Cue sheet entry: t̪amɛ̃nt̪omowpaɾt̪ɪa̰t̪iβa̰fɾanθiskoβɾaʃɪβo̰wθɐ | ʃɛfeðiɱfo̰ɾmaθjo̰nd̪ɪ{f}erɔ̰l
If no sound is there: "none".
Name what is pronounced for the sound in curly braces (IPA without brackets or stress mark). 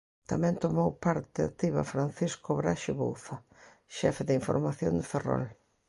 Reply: f